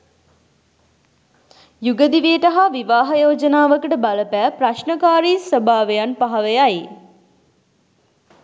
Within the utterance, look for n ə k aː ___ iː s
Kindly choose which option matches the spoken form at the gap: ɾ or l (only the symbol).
ɾ